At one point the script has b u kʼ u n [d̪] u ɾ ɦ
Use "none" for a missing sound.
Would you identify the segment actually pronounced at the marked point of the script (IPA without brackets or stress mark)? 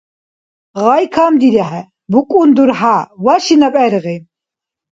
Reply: d̪